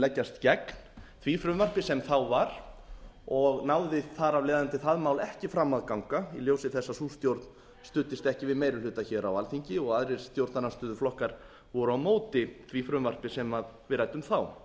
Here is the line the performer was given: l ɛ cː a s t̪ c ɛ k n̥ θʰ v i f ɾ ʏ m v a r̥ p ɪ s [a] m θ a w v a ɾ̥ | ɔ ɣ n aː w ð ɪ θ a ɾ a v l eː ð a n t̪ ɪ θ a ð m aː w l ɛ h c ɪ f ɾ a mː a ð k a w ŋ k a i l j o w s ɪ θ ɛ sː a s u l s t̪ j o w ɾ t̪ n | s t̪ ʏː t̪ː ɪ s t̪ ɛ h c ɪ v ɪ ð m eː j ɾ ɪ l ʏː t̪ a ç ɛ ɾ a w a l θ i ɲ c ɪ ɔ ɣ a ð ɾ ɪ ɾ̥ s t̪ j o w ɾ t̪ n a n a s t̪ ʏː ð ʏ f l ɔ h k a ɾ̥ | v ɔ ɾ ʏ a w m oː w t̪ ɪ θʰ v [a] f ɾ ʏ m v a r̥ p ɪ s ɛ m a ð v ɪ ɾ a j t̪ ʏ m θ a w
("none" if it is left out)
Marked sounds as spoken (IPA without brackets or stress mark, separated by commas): ɛ, i